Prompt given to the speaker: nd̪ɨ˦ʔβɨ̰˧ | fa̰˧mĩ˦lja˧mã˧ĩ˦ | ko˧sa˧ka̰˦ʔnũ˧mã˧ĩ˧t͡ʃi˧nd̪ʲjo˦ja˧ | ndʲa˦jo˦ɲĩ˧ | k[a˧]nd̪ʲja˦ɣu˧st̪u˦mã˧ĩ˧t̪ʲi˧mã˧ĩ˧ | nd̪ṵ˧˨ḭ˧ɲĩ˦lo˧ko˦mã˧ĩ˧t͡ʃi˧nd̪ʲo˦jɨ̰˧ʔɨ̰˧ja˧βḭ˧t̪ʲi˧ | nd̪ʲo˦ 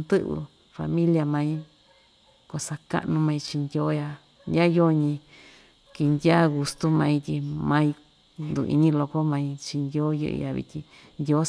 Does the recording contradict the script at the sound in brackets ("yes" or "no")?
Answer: yes